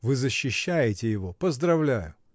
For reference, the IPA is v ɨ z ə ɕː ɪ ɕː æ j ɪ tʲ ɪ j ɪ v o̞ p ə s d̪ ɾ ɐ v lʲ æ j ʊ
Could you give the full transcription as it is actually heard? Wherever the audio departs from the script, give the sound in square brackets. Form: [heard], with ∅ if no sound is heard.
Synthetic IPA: v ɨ z ə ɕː ɪ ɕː æ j ɪ tʲ ɪ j ɪ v o̞ p ə [z] d̪ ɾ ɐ v lʲ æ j ʊ